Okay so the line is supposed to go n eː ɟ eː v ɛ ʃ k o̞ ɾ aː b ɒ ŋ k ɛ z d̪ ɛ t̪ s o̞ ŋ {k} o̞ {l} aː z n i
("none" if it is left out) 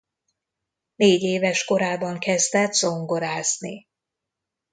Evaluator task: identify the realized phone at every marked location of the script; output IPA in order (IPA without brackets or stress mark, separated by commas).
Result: ɡ, ɾ